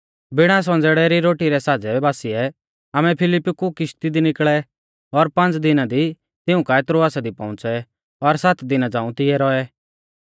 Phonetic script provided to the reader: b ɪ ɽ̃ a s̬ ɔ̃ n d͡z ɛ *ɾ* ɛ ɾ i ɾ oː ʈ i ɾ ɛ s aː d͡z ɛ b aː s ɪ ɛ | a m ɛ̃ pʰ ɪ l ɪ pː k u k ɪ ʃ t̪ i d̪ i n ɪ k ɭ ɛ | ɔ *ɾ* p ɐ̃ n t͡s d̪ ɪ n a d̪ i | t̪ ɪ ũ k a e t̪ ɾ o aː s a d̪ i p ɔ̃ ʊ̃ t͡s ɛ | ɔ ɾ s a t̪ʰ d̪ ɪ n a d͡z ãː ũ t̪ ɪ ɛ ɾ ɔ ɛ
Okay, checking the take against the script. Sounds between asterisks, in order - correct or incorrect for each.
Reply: incorrect: ɽ, correct

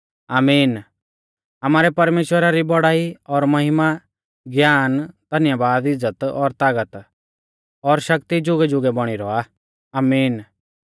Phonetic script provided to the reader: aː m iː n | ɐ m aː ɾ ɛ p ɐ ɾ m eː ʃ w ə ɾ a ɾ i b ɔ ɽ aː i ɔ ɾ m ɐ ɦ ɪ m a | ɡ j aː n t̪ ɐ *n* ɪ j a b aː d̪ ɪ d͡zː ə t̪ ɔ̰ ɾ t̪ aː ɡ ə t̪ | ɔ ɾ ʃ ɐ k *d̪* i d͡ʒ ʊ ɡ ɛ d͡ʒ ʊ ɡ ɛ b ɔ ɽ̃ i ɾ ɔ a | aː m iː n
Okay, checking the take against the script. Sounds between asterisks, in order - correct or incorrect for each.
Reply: correct, incorrect: t̪

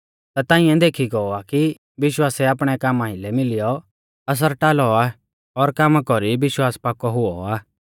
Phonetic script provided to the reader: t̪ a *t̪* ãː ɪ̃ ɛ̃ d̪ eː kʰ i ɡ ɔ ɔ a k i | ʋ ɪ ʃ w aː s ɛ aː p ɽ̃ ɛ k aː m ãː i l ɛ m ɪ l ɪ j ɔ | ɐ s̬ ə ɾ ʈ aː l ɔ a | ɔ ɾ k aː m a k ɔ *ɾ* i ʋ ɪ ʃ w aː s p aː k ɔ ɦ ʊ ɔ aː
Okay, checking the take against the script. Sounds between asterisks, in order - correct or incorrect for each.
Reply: correct, correct

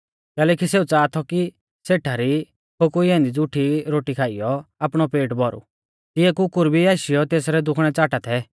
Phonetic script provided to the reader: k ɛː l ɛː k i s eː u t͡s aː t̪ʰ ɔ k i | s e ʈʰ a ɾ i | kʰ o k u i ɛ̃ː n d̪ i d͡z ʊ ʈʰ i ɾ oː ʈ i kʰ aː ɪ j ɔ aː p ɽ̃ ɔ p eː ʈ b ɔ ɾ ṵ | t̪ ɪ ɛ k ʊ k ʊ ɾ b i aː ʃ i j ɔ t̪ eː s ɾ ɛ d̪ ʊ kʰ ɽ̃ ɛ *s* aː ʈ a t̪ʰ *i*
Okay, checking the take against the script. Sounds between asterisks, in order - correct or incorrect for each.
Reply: incorrect: t͡s, incorrect: ɛ

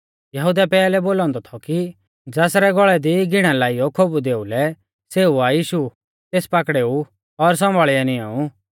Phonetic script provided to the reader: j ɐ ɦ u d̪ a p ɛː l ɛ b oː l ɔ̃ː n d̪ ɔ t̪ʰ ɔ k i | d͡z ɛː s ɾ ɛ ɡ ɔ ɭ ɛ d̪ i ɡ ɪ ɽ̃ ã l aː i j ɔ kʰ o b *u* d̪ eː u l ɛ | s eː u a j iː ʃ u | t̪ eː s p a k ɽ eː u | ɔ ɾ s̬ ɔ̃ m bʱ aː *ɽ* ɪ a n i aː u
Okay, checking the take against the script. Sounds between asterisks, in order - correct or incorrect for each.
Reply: correct, incorrect: ɭ

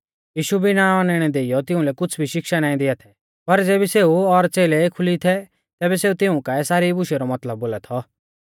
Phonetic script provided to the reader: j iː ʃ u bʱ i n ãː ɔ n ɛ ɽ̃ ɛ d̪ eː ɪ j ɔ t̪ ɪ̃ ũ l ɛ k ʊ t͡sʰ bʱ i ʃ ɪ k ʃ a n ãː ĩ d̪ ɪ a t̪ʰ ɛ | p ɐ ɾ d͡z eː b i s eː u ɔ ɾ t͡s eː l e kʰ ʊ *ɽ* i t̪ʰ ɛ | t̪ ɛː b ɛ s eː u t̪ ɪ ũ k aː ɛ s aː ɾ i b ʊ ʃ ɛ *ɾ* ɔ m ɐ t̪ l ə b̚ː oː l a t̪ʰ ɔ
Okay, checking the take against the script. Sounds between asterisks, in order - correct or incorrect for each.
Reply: incorrect: l, correct

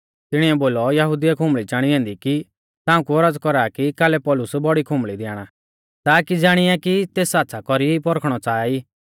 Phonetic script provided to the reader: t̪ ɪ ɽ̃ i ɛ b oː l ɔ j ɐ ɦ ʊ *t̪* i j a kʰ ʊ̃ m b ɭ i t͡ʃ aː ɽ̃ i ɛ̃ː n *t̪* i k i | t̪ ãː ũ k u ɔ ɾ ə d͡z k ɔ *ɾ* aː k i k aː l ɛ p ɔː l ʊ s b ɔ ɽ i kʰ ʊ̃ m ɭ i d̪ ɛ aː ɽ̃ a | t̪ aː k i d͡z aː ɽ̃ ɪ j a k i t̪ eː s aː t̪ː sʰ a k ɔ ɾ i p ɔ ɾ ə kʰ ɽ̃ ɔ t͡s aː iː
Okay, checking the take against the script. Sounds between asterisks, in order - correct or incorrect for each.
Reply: incorrect: d̪, incorrect: d̪, correct

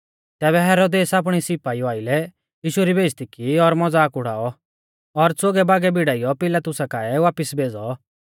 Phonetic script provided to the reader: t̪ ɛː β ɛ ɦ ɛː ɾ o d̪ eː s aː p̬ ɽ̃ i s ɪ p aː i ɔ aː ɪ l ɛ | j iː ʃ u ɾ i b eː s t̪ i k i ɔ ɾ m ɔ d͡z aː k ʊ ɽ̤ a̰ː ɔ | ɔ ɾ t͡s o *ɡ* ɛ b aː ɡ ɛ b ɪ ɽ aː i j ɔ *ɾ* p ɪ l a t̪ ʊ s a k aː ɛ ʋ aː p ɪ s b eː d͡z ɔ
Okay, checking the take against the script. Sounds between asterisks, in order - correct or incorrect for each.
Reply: correct, incorrect: none

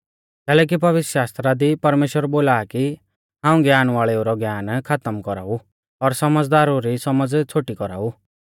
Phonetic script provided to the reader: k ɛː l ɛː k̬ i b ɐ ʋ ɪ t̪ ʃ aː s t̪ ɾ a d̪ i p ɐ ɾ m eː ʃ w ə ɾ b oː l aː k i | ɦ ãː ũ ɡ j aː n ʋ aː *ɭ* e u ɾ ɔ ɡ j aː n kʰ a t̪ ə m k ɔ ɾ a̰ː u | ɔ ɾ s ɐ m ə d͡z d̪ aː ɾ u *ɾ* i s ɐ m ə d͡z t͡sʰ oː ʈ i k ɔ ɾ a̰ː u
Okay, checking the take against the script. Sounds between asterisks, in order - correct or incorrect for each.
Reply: correct, correct

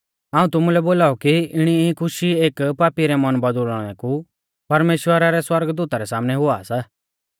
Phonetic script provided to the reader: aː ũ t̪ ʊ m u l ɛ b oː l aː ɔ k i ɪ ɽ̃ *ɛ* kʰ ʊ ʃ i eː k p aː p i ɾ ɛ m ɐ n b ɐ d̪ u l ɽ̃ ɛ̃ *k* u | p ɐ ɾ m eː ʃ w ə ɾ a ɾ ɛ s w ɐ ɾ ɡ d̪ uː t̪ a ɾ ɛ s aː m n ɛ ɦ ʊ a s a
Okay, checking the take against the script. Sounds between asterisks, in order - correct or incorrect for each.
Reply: incorrect: i, correct

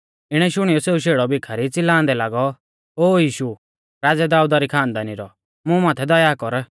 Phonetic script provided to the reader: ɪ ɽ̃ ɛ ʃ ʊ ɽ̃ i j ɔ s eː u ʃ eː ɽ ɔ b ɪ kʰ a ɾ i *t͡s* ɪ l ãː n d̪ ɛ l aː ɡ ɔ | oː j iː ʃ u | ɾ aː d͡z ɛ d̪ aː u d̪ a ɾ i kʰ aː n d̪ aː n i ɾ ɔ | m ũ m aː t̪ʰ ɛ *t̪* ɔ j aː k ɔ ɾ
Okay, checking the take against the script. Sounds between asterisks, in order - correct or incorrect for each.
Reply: correct, incorrect: d̪

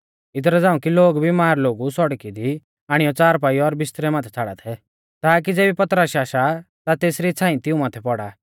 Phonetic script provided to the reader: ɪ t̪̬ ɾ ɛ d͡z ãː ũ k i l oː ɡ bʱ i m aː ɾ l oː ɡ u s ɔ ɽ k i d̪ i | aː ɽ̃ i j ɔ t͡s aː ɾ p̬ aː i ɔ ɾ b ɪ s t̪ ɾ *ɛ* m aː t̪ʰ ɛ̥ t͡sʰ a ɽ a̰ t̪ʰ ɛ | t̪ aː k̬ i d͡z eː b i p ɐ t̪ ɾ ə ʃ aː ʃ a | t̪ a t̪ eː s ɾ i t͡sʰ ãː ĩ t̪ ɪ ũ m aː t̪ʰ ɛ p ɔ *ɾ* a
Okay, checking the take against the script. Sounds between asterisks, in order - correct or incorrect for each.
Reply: correct, incorrect: ɽ

